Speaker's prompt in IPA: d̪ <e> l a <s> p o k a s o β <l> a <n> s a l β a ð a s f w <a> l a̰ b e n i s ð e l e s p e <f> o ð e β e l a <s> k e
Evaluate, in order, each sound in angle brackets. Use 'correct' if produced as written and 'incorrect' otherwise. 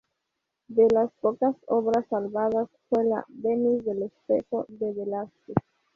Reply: correct, correct, incorrect: ɾ, incorrect: none, incorrect: e, incorrect: x, correct

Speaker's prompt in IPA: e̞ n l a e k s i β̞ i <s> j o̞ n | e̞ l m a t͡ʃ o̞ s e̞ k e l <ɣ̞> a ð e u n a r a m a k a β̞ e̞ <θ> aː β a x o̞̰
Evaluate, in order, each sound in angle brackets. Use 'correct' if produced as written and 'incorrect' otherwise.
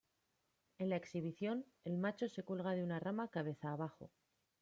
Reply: incorrect: θ, correct, correct

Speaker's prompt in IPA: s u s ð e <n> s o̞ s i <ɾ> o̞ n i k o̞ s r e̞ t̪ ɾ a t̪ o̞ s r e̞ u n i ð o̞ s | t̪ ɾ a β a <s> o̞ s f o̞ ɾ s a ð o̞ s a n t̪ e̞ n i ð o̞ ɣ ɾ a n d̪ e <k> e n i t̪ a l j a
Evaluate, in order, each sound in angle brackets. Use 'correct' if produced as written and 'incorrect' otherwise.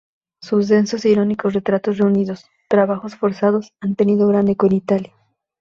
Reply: correct, correct, incorrect: x, correct

